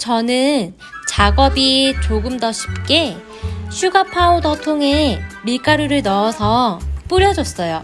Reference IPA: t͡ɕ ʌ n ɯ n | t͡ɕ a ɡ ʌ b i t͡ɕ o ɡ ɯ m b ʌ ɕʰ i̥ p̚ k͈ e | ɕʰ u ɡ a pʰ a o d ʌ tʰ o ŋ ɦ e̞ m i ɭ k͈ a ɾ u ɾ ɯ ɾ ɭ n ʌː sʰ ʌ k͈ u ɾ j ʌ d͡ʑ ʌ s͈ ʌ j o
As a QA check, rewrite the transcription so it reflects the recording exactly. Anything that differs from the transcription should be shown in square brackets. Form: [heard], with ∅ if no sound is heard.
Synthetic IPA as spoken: t͡ɕ ʌ n ɯ n | t͡ɕ a ɡ ʌ b i t͡ɕ o ɡ ɯ m [d] ʌ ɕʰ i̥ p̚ k͈ e | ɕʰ u ɡ a pʰ a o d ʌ tʰ o ŋ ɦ e̞ m i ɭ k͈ a ɾ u ɾ ɯ [∅] ɭ n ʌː sʰ ʌ [p͈] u ɾ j ʌ d͡ʑ ʌ s͈ ʌ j o